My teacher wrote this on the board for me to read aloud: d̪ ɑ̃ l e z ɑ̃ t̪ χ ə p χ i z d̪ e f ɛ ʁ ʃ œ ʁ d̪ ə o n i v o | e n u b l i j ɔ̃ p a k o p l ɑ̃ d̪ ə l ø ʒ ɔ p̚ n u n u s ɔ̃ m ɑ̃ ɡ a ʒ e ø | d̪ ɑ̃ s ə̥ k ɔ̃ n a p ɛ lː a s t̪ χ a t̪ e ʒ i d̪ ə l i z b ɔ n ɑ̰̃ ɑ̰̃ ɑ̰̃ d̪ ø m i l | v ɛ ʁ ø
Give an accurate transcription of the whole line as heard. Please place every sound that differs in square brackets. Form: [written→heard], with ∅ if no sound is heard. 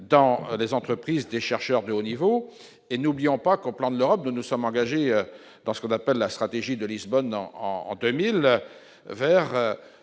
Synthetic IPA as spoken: d̪ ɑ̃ l e z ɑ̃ t̪ χ ə p χ i z d̪ e [f→ʃ] ɛ ʁ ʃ œ ʁ d̪ ə o n i v o | e n u b l i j ɔ̃ p a k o p l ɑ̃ d̪ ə l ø [ʒ→ʁ] ɔ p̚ n u n u s [ɔ̃→ɔ] m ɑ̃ ɡ a ʒ e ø | d̪ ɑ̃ s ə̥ k ɔ̃ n a p ɛ lː a s t̪ χ a t̪ e ʒ i d̪ ə l i z b ɔ n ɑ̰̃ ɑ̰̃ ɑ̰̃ d̪ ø m i l | v ɛ ʁ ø